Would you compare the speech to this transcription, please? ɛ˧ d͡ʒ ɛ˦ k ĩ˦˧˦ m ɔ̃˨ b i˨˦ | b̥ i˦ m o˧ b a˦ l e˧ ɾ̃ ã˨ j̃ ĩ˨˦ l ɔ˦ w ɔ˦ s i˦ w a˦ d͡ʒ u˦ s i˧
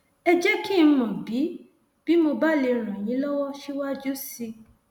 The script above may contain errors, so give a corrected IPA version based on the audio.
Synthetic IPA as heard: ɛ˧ d͡ʒ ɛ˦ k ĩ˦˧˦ m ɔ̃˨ b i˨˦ | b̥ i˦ m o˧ b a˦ l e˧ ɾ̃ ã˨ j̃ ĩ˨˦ l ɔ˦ w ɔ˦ ʃ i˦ w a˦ d͡ʒ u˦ s i˧